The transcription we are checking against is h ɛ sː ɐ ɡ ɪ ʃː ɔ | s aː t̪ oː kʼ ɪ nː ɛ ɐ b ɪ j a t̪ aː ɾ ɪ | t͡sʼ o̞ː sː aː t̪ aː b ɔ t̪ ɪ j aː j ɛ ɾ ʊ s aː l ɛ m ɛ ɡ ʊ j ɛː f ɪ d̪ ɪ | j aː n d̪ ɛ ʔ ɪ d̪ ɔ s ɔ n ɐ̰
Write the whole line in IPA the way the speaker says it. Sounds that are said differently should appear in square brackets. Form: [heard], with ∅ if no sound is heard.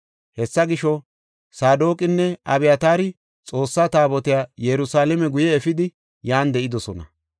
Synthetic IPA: h ɛ sː ɐ ɡ ɪ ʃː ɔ | s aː [d̪] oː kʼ ɪ nː ɛ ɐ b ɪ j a t̪ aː ɾ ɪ | t͡sʼ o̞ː sː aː t̪ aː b ɔ t̪ ɪ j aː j ɛ ɾ ʊ s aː l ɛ m ɛ ɡ ʊ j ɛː f ɪ d̪ ɪ | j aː n d̪ ɛ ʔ ɪ d̪ ɔ s ɔ n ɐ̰